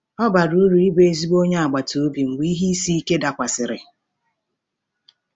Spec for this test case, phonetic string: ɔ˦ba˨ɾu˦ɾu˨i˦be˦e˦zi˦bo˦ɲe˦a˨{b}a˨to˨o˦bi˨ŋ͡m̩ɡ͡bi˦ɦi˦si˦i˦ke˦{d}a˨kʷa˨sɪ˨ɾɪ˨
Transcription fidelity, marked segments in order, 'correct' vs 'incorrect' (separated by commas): incorrect, correct